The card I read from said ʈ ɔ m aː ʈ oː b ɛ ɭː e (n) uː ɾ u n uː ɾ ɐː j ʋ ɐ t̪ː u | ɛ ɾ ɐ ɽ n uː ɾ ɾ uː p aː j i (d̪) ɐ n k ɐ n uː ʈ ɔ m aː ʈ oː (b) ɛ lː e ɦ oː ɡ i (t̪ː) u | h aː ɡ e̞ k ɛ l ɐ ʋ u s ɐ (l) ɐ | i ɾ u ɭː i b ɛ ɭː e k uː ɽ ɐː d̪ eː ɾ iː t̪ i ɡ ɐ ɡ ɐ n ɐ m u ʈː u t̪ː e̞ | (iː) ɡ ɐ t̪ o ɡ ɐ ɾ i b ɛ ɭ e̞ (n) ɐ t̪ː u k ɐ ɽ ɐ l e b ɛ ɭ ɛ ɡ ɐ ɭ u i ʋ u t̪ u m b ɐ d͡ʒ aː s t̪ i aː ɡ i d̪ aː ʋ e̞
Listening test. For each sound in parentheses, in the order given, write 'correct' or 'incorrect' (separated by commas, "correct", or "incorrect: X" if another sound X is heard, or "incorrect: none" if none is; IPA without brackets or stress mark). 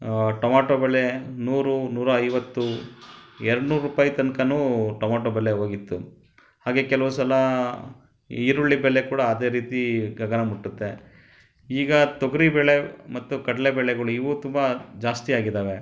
correct, incorrect: t̪, correct, correct, correct, correct, incorrect: m